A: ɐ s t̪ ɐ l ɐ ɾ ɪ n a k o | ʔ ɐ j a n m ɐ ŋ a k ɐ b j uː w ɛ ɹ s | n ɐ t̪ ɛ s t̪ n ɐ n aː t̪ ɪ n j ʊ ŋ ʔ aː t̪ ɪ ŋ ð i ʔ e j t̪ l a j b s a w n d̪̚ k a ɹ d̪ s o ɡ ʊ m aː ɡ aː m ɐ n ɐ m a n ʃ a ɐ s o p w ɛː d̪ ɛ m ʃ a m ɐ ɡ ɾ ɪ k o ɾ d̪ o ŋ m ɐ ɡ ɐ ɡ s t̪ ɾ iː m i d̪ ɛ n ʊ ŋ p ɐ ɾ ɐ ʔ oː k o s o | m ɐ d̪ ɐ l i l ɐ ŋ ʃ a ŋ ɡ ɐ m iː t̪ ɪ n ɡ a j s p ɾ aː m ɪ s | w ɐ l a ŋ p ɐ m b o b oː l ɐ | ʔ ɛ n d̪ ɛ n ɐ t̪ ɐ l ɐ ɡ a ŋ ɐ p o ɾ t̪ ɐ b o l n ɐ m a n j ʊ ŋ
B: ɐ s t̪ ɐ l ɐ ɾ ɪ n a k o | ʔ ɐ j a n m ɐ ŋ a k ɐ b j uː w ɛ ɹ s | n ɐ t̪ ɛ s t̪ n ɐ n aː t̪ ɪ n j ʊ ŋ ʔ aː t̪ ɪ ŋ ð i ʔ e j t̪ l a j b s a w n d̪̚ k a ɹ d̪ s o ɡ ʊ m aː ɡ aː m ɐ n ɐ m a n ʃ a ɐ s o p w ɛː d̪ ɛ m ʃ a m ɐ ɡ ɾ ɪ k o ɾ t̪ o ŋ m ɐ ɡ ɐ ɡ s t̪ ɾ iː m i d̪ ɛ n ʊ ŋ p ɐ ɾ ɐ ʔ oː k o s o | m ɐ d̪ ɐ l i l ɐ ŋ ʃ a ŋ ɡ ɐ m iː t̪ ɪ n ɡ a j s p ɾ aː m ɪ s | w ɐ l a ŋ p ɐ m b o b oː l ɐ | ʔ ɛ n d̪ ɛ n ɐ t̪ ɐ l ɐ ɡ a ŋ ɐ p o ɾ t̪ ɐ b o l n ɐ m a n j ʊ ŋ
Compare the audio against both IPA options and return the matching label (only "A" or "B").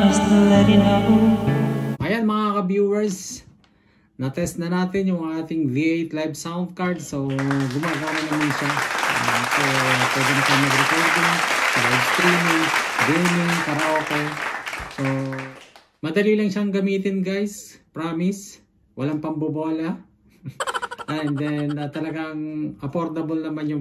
A